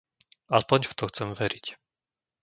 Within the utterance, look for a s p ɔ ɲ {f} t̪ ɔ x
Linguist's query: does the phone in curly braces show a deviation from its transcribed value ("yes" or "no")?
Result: no